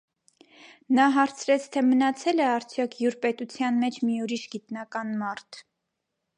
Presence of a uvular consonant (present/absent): absent